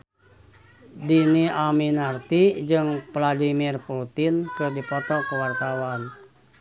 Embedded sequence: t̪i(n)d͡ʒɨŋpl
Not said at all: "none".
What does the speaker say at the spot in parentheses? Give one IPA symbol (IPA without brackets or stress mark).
none